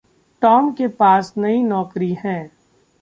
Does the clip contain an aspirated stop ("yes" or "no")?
no